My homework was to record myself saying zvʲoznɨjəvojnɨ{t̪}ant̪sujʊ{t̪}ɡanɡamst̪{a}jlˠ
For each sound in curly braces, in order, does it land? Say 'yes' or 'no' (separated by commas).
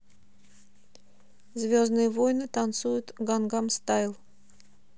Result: yes, yes, yes